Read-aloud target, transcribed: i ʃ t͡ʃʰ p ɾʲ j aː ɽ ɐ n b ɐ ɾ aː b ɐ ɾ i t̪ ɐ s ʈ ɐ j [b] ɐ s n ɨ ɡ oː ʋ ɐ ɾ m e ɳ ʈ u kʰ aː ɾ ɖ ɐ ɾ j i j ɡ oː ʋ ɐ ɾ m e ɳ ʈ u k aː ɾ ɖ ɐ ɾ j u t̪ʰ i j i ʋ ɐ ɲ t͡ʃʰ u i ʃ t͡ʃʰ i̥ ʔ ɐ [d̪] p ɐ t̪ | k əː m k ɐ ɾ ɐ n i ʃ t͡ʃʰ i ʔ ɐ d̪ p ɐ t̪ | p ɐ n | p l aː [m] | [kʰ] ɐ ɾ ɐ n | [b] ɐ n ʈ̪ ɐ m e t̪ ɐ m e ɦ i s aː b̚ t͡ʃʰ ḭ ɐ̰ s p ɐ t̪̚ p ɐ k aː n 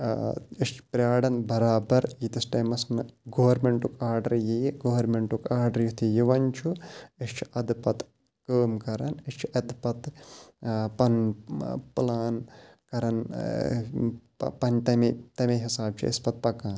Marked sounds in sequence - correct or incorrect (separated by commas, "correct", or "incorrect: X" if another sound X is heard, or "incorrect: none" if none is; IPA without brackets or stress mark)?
incorrect: m, correct, incorrect: n, incorrect: k, incorrect: p